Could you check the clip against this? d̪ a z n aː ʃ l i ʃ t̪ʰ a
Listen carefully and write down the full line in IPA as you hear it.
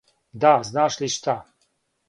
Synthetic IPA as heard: d̪ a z n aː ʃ l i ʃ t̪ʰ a